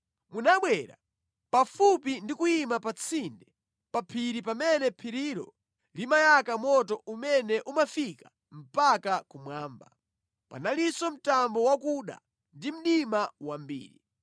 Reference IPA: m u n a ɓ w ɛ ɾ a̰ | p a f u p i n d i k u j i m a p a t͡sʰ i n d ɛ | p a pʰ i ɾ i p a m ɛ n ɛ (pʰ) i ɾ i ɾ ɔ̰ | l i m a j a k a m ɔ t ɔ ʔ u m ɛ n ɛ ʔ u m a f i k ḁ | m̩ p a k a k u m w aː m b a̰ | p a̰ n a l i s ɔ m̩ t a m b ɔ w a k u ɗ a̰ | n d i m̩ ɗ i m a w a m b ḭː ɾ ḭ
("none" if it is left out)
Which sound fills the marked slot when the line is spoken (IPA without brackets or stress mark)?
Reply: pʰ